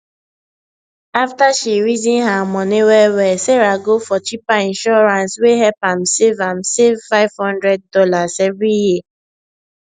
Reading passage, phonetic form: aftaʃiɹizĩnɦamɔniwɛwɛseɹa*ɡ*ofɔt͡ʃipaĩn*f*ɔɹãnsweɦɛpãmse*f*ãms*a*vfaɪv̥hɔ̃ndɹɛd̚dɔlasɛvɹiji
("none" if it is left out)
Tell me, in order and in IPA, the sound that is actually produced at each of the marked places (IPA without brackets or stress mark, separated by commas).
ɡ, ʃ, v, e